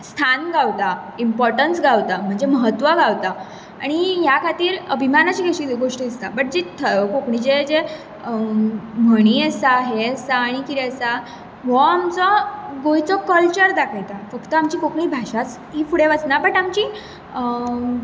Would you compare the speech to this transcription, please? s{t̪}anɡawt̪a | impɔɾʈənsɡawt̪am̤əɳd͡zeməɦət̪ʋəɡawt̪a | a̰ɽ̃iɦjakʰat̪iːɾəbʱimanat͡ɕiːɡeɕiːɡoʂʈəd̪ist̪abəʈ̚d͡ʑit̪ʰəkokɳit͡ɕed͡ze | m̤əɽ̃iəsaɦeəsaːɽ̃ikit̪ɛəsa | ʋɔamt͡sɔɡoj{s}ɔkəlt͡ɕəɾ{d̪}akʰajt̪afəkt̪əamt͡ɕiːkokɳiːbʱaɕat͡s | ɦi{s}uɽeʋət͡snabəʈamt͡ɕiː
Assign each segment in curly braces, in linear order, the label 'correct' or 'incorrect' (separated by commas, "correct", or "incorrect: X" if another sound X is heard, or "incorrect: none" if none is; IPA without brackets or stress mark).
incorrect: t̪ʰ, incorrect: t͡s, correct, incorrect: f